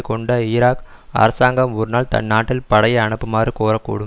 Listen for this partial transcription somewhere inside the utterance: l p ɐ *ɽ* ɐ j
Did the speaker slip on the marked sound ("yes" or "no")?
no